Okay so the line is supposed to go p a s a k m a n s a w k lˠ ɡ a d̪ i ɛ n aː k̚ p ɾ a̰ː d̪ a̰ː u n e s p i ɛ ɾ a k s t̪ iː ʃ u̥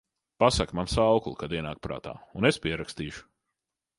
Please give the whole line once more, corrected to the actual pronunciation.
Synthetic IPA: p a s a k m a n s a w k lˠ k a d̪ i ɛ n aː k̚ p ɾ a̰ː t̪ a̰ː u n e s p i ɛ ɾ a k s t̪ iː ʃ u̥